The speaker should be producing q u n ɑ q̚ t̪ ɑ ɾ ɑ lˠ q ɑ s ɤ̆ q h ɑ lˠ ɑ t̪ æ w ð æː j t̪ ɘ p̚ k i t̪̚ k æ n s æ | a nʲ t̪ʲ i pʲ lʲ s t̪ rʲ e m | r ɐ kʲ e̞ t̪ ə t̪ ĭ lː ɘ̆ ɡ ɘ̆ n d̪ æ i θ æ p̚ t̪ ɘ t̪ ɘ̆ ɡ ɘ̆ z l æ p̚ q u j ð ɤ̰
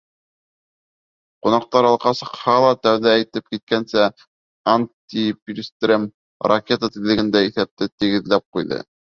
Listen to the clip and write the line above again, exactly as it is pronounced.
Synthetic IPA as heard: q u n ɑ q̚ t̪ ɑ ɾ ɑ lˠ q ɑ s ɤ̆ q h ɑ lˠ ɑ t̪ æ w ð æː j t̪ ɘ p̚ k i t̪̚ k æ n s æ | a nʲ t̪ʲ i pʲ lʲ s t̪ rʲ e m | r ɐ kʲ e̞ t̪ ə t̪ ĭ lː ɘ̆ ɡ ɘ̆ n d̪ æ i θ æ p̚ t̪ ɘ t̪ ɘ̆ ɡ ɘ̆ ð l æ p̚ q u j ð ɤ̰